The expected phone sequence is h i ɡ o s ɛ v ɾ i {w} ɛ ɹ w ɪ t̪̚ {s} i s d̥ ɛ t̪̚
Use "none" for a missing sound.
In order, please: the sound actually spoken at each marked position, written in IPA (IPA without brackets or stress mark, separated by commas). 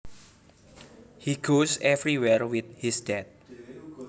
w, h